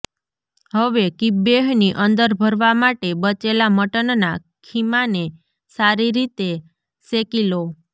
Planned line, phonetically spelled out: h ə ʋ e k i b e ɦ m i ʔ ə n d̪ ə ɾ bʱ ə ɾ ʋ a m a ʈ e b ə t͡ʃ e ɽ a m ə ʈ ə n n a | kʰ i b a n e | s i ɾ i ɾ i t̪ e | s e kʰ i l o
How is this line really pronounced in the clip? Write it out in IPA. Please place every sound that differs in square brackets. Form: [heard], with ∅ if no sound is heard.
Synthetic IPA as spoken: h ə ʋ e k i b e ɦ [n] i ʔ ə n d̪ ə ɾ bʱ ə ɾ ʋ a m a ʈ e b ə t͡ʃ e [l] a m ə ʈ ə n n a | kʰ i [m] a n e | s [a] ɾ i ɾ i t̪ e | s e [k] i l o